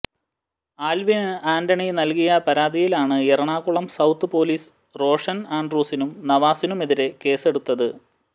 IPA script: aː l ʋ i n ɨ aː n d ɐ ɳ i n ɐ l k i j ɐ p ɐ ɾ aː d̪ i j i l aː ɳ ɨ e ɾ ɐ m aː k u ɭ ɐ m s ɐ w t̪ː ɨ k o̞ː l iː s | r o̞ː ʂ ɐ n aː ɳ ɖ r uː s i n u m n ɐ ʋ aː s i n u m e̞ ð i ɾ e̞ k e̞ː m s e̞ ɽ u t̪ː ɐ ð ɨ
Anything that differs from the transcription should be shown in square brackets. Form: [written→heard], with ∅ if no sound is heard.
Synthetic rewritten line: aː l ʋ i n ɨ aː n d ɐ ɳ i n ɐ l k i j ɐ p ɐ ɾ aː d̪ i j i l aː ɳ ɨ e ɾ ɐ [m→ɳ] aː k u ɭ ɐ m s ɐ w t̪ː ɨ [k→p] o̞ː l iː s | r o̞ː ʂ ɐ n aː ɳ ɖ r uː s i n u m n ɐ ʋ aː s i n u m e̞ ð i ɾ e̞ k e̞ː [m→∅] s e̞ ɽ u t̪ː ɐ ð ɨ